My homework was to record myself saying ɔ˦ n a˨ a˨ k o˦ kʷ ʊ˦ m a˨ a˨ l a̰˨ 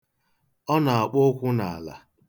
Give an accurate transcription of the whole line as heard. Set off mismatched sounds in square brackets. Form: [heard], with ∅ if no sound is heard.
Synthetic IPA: ɔ˦ n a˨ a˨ [k͡p] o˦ kʷ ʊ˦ [n] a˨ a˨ l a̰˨

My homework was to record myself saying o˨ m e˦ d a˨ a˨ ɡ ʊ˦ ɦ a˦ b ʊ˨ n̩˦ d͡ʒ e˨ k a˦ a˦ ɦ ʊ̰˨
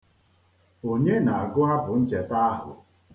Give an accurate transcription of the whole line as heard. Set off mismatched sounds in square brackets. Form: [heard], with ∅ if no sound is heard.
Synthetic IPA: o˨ [ɲ] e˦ [n] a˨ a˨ ɡ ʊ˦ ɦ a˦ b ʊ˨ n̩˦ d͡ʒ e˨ [t] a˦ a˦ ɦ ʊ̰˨

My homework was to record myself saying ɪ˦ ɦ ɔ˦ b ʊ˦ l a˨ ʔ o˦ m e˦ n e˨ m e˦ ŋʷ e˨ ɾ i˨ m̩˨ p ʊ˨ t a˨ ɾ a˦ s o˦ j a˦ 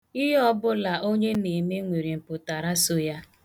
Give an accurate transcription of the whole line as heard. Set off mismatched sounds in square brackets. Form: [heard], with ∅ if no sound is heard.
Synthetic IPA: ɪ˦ ɦ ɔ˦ b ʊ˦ l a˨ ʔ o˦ [ɲ] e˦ n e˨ m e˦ ŋʷ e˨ ɾ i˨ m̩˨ p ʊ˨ t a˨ ɾ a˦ s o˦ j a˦

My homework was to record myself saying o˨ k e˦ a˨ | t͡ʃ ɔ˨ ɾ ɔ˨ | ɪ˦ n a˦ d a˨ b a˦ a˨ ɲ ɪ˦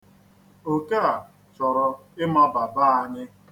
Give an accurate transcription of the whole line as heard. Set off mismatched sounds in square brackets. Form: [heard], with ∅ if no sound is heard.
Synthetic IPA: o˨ k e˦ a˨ | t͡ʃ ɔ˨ ɾ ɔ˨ | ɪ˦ [m] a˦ [b] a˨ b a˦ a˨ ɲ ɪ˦

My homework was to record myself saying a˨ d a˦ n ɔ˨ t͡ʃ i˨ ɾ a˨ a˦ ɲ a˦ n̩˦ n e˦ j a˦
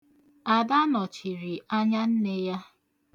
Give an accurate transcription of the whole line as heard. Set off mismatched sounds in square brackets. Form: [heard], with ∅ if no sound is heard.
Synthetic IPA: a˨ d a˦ n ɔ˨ t͡ʃ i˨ ɾ [i˨] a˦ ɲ a˦ n̩˦ n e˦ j a˦

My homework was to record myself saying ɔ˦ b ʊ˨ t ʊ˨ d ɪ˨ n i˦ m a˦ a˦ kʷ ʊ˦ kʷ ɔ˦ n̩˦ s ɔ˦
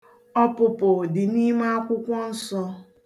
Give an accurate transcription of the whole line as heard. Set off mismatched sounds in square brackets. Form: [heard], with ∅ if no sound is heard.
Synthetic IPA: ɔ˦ [p] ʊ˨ [p] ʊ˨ d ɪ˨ n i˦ m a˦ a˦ kʷ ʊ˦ kʷ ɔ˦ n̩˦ s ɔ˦

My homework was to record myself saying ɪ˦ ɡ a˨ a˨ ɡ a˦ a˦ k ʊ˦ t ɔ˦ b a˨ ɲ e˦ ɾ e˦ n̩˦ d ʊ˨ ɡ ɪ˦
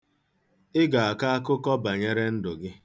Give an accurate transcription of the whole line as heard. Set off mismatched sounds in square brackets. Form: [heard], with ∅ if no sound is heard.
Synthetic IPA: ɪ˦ ɡ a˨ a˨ [k] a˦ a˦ k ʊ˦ [k] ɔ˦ b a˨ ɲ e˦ ɾ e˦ n̩˦ d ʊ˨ ɡ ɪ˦

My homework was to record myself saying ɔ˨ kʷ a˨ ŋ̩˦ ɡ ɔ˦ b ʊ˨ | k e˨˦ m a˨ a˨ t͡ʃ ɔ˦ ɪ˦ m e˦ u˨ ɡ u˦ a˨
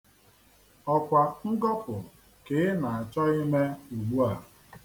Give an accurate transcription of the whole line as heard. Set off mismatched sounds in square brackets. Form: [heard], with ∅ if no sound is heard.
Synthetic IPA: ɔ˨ kʷ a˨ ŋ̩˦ ɡ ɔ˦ [p] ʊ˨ | k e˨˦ [n] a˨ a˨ t͡ʃ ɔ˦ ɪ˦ m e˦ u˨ [ɡ͡b] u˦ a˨

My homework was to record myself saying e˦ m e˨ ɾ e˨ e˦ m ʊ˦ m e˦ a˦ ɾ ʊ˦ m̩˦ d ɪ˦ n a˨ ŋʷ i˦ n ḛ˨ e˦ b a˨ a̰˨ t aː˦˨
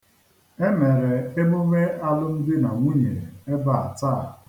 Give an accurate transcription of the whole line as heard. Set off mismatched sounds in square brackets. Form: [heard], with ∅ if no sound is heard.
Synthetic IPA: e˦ m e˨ ɾ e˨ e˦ m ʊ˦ m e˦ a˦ [l] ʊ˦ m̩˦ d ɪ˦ n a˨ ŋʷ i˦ [ɲ] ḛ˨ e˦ b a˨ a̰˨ t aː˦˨

